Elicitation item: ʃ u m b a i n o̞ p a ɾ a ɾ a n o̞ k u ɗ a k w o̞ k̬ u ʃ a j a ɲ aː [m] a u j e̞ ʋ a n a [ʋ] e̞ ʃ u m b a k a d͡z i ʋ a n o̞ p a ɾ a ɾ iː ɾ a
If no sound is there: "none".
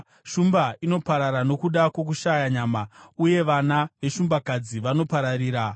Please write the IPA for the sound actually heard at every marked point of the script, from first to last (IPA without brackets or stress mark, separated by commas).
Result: m, ʋ